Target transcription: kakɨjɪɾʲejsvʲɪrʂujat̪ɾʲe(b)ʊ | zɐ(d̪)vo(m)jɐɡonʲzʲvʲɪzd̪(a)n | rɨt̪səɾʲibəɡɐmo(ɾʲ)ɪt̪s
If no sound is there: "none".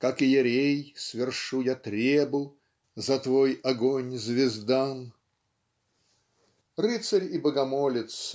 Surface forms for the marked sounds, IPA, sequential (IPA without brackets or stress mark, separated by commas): b, t̪, none, a, lʲ